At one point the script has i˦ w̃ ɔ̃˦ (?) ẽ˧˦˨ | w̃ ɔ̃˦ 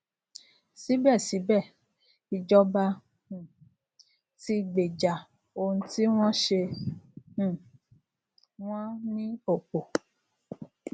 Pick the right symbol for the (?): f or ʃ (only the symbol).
ʃ